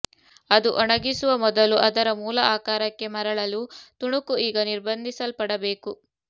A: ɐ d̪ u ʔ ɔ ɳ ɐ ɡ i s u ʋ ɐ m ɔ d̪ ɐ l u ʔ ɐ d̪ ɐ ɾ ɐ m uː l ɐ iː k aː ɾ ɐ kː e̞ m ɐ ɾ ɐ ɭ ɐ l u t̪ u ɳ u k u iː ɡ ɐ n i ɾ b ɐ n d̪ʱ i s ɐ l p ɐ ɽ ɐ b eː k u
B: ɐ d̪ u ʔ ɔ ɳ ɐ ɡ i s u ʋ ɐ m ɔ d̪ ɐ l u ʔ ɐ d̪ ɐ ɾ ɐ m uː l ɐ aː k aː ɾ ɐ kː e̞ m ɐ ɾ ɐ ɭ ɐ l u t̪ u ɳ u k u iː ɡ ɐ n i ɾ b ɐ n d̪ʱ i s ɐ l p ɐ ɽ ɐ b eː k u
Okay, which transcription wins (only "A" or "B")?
B